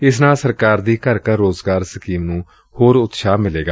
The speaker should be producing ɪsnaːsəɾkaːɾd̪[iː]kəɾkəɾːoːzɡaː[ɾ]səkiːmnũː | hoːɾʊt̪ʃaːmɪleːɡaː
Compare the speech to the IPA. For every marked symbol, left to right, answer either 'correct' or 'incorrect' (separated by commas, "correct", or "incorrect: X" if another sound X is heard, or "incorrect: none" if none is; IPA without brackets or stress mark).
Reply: correct, correct